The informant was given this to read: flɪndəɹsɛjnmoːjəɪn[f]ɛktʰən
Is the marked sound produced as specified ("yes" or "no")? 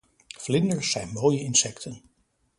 no